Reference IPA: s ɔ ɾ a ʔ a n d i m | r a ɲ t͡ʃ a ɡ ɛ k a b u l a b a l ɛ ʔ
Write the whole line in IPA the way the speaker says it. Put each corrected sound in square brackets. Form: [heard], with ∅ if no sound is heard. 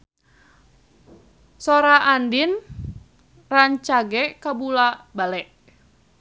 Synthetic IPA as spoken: s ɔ ɾ a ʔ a n d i [n] | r a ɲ t͡ʃ a ɡ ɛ k a b u l a b a l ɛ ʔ

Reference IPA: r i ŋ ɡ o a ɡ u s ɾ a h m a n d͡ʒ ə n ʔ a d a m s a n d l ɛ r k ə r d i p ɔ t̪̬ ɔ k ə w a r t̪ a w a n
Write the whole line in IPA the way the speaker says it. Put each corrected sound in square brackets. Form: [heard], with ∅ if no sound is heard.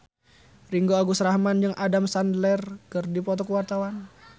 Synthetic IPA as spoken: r i ŋ ɡ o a ɡ u s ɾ a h m a n d͡ʒ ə [ŋ] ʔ a d a m s a n d l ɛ r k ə r d i p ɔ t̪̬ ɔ k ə w a r t̪ a w a n

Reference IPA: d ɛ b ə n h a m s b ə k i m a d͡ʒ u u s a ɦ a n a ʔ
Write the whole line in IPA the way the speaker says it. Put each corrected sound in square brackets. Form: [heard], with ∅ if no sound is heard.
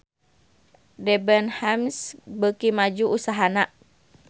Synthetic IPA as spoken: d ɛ b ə n h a m s b ə k i m a d͡ʒ u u s a ɦ a n a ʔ

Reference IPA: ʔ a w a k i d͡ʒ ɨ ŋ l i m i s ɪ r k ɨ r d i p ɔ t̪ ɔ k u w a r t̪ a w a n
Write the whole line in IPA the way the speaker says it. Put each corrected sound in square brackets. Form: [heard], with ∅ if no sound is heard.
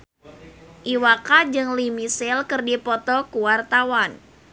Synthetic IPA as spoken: ʔ [i] w a k [a] d͡ʒ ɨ ŋ l i m i s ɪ [l] k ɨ r d i p ɔ t̪ ɔ k u w a r t̪ a w a n

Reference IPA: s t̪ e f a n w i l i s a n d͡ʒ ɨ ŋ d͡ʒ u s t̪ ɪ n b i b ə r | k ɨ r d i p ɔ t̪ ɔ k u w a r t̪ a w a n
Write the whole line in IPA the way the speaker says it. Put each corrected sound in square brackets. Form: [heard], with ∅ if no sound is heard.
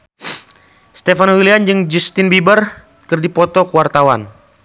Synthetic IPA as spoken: s t̪ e f a n w i l i [∅] a n d͡ʒ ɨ ŋ d͡ʒ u s t̪ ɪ n b i b ə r | k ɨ r d i p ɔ t̪ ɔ k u w a r t̪ a w a n

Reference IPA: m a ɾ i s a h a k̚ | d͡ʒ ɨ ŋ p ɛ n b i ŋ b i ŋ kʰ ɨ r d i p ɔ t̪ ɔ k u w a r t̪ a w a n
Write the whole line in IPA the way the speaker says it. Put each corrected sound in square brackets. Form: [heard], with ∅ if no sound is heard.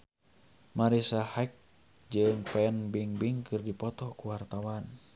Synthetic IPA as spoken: m a ɾ i s a h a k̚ | d͡ʒ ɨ ŋ p ɛ n b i ŋ b i ŋ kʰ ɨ r d i p ɔ t̪ ɔ k u w a r t̪ a w a n

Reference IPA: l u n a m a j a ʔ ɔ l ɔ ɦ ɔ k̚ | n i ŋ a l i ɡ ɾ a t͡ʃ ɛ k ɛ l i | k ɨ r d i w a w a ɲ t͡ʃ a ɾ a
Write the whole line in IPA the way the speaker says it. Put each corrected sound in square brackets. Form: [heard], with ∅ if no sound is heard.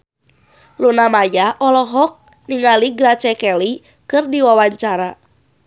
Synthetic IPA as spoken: l u n a m a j a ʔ ɔ l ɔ ɦ ɔ k̚ | n i ŋ a l i ɡ ɾ a t͡ʃ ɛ k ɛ l i | k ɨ r d i w a w a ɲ t͡ʃ a ɾ a

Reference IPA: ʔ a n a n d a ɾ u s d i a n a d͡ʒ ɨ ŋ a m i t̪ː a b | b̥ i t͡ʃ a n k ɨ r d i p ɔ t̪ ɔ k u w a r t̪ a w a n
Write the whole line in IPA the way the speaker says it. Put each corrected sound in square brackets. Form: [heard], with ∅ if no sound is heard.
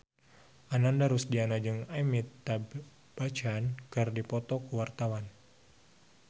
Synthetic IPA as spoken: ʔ a n a n d a ɾ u s d i a n a d͡ʒ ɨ ŋ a m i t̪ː a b | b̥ [a] t͡ʃ a n k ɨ r d i p ɔ t̪ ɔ k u w a r t̪ a w a n

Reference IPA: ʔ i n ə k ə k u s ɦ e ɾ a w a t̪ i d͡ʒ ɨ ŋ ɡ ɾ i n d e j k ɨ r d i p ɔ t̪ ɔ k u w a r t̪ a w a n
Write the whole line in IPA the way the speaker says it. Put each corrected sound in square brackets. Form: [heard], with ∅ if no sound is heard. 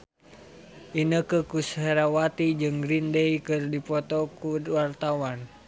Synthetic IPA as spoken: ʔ i n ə k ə k u s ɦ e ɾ a w a t̪ i d͡ʒ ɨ ŋ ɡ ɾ i n d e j k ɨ r d i p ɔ t̪ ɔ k u w a r t̪ a w a n

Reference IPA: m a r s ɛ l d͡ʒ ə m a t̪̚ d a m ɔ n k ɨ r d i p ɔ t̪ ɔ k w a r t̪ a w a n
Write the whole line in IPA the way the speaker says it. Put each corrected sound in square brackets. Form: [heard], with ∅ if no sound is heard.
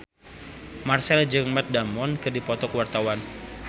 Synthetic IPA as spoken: m a r s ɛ l d͡ʒ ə m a t̪̚ d a m ɔ n k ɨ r d i p ɔ t̪ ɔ k w a r t̪ a w a n

